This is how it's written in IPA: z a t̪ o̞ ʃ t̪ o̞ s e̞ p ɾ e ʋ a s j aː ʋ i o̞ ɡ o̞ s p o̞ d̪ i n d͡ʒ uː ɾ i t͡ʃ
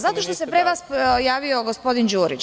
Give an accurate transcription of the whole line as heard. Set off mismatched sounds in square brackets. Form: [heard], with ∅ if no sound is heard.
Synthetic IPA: z a t̪ o̞ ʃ t̪ o̞ s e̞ p ɾ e ʋ a s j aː ʋ i o̞ ɡ o̞ s p o̞ d̪ i n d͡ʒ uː ɾ i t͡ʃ